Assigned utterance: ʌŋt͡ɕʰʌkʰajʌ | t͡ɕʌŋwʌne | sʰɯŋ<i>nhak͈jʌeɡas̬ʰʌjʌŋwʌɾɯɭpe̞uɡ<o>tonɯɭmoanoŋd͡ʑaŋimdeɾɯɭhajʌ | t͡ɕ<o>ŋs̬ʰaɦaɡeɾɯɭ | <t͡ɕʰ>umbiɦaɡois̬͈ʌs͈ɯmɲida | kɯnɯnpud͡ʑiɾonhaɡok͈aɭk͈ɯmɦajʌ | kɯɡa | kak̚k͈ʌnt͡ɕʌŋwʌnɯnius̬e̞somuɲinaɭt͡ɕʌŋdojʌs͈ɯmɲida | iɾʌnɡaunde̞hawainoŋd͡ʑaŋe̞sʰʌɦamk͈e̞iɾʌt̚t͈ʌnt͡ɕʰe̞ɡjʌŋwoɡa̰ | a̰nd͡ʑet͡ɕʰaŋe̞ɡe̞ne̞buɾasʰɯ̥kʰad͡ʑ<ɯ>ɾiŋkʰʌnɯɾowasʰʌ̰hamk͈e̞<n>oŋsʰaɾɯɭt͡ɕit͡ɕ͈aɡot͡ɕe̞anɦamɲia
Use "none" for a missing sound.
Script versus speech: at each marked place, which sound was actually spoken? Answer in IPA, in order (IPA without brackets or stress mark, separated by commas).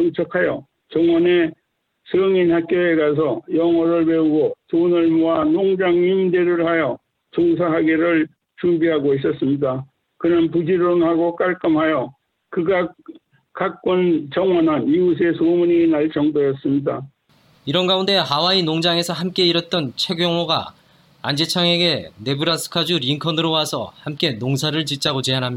i, o, o, t͡ɕ, u, n